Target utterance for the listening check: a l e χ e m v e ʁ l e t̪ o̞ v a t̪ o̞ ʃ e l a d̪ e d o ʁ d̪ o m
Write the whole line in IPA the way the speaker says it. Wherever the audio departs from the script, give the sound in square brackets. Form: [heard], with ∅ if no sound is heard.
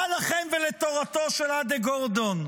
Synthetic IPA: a l [a] χ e m v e [∅] l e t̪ o̞ [ʁ] a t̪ o̞ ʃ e l a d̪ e [ɡ] o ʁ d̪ o [n]